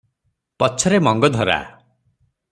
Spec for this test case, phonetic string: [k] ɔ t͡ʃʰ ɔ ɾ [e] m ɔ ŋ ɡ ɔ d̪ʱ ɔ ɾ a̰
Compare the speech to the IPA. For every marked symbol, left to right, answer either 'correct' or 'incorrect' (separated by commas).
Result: incorrect, correct